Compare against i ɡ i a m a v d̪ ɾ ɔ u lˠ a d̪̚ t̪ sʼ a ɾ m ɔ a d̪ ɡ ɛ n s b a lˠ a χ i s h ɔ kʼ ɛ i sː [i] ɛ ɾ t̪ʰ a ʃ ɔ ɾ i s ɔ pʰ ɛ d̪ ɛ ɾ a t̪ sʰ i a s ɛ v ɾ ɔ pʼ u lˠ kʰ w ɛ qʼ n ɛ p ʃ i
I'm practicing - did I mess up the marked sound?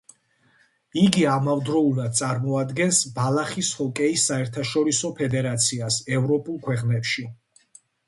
yes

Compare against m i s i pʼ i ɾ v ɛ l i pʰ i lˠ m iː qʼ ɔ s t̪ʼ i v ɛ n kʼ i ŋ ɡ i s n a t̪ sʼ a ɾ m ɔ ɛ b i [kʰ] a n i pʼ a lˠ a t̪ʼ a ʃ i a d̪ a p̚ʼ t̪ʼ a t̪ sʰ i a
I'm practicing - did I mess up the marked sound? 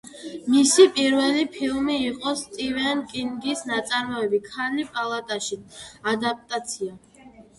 no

